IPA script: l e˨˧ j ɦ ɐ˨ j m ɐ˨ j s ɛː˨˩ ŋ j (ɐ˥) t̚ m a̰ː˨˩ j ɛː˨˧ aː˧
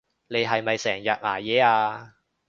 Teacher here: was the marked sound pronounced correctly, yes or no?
no